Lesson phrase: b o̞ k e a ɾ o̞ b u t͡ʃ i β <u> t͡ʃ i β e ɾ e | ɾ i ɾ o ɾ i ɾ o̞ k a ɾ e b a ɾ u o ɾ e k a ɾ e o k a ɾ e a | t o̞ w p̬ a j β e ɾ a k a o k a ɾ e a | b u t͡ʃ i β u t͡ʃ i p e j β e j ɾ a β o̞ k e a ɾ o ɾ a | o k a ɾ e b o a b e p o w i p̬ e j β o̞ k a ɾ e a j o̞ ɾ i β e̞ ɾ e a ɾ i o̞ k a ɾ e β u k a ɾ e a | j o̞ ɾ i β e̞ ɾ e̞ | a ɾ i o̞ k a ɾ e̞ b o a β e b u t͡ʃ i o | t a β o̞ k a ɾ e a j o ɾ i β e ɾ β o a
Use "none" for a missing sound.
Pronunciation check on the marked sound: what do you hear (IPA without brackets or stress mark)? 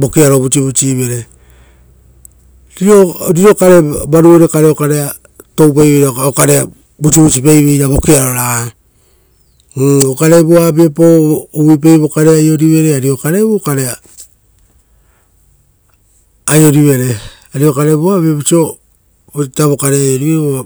u